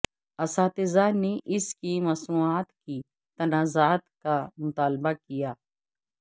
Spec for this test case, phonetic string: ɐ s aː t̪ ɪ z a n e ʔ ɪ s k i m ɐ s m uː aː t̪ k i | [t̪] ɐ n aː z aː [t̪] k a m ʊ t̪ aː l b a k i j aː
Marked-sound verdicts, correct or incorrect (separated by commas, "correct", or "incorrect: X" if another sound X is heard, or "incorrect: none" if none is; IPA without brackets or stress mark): correct, correct